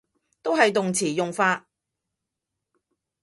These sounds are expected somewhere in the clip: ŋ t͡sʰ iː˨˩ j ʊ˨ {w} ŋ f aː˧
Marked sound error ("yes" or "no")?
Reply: yes